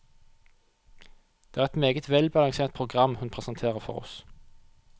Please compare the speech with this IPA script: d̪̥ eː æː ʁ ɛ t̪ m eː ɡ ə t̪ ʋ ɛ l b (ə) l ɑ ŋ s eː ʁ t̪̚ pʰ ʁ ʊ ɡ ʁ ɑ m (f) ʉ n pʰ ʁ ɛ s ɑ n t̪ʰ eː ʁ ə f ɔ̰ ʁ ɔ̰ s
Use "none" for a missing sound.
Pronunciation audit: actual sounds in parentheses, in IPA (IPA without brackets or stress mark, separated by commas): ɑ, h